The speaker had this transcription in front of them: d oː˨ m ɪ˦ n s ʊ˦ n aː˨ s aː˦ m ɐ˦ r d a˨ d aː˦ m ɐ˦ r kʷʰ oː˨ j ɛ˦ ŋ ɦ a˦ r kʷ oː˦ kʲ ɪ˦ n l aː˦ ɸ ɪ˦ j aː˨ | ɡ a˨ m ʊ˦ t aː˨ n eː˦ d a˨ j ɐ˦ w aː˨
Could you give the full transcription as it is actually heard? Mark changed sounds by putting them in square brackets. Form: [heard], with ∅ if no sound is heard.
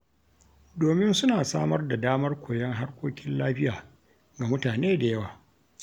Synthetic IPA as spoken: d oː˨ m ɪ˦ n s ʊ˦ n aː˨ s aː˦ m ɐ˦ r d a˨ d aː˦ m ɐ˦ r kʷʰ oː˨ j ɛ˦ ŋ ɦ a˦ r kʷ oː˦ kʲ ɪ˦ n l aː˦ ɸ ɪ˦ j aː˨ | ɡ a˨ m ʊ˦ t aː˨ n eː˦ d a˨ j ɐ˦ w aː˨

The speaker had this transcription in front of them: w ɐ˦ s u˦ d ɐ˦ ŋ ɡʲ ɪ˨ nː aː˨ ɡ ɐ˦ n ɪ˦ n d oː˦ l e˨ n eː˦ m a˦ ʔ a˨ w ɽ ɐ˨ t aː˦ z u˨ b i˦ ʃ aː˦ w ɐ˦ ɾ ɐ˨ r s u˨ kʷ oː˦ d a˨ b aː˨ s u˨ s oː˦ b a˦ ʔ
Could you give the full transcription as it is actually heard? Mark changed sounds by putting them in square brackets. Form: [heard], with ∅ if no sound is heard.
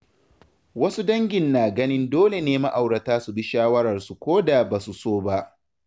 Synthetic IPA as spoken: w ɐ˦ s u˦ d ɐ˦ ŋ ɡʲ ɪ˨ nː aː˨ ɡ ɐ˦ n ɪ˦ n d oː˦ l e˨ n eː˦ m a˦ ʔ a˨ w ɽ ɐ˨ t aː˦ [s] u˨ b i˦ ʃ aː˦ w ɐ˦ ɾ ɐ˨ r s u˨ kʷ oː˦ d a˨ b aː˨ s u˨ s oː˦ b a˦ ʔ

